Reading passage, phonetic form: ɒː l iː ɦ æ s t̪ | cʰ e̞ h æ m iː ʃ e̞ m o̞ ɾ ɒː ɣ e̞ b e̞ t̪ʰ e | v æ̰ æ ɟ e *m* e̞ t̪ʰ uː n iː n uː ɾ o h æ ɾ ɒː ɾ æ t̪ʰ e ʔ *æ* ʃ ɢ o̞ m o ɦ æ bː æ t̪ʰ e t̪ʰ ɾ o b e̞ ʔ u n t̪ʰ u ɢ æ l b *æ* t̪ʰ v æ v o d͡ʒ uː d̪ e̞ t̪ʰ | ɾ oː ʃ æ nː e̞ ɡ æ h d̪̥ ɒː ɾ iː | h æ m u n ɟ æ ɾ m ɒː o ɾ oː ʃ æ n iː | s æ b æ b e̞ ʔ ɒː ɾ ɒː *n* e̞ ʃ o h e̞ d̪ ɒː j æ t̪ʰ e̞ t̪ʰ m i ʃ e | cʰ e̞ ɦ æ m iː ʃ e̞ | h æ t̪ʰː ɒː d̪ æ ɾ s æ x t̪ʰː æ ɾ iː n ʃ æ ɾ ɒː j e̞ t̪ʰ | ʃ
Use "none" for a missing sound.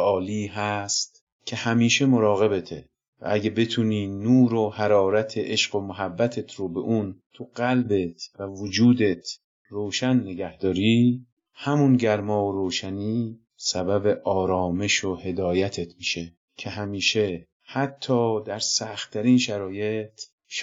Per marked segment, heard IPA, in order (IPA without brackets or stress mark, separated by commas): b, e, e, m